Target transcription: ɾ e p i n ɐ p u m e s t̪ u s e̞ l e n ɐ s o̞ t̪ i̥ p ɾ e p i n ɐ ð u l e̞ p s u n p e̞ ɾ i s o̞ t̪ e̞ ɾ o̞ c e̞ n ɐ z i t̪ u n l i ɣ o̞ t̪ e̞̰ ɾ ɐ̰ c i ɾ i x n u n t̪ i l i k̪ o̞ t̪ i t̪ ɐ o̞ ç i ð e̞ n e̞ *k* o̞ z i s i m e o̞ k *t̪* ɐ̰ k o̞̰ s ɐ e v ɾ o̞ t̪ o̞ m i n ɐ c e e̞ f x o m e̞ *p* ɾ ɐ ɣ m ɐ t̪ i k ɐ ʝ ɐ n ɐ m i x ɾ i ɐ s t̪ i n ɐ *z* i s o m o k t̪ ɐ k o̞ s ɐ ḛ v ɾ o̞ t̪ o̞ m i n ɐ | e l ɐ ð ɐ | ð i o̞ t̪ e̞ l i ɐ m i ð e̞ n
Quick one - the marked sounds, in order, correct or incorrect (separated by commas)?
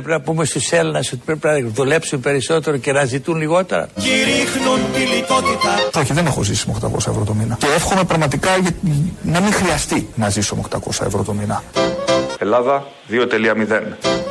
incorrect, correct, correct, correct